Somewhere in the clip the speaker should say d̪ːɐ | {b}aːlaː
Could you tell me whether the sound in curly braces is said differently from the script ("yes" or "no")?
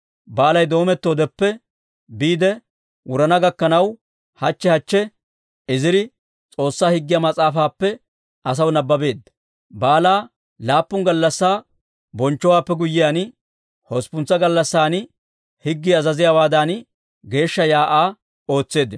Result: no